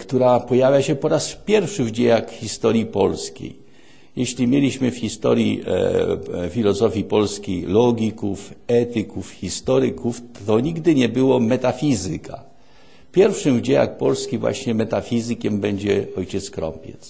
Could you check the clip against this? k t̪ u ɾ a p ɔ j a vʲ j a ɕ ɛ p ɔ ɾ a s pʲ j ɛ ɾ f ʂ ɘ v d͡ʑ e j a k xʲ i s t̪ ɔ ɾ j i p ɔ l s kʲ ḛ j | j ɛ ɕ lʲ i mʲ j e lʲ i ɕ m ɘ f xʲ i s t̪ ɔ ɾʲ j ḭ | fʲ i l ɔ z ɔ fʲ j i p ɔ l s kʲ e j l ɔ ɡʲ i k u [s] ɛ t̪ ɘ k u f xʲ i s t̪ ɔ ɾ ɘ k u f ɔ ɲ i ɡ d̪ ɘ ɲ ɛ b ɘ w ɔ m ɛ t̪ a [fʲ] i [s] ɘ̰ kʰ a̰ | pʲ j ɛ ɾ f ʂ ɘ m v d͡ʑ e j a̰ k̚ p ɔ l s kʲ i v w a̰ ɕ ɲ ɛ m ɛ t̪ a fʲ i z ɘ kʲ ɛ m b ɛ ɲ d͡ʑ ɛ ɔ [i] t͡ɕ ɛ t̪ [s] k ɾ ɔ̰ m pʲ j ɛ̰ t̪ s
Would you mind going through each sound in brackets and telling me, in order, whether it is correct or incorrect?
incorrect: f, correct, incorrect: z, incorrect: j, correct

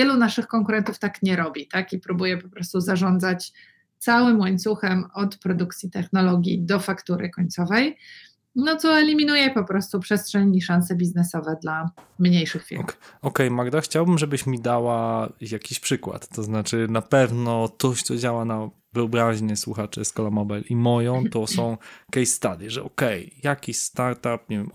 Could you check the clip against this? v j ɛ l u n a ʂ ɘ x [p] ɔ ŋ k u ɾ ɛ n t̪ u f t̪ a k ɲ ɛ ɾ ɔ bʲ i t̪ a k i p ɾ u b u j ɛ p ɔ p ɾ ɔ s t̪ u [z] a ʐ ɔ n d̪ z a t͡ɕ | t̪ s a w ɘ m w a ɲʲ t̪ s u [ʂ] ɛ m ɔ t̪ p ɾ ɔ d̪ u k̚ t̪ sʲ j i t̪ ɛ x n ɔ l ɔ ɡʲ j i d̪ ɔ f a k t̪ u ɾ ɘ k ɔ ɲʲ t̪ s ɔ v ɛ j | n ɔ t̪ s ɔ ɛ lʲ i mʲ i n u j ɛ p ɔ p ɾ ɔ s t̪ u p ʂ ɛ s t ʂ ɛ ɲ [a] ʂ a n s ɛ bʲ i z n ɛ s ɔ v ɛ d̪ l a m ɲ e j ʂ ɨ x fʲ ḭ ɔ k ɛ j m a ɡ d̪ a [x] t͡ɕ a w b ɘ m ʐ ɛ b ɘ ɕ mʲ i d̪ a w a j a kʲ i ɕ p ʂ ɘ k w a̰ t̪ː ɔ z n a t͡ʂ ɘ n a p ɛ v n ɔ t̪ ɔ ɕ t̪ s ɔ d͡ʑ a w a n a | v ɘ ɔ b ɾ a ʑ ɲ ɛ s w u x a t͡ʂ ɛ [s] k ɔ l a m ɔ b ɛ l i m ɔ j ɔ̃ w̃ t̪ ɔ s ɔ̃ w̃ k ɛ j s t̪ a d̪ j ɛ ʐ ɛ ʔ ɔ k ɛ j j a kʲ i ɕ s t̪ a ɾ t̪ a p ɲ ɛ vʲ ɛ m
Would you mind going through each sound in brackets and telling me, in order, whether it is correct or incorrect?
incorrect: k, correct, incorrect: x, incorrect: i, correct, correct

